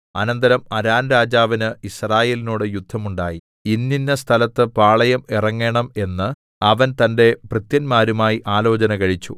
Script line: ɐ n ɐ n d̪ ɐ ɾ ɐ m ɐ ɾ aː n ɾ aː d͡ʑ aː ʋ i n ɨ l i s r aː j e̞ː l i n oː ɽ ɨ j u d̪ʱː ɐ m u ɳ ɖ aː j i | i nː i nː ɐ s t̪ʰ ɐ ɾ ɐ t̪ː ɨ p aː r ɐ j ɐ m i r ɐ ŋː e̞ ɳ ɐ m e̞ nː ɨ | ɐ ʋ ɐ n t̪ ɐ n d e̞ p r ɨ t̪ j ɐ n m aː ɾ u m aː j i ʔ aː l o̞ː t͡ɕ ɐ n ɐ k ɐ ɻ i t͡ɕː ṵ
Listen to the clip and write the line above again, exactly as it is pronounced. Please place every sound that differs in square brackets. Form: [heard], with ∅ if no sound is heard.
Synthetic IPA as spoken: ɐ n ɐ n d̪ ɐ ɾ ɐ m ɐ ɾ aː n ɾ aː d͡ʑ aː ʋ i n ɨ [∅] i s r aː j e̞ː l i n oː ɽ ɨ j u d̪ʱː ɐ m u ɳ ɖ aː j i | i nː i nː ɐ s t̪ʰ ɐ [l] ɐ t̪ː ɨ p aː [ɭ] ɐ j ɐ m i r ɐ ŋː e̞ ɳ ɐ m e̞ nː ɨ | ɐ ʋ ɐ n t̪ ɐ n d e̞ p r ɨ t̪ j ɐ n m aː ɾ u m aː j i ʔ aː l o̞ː t͡ɕ ɐ n ɐ k ɐ ɻ i t͡ɕː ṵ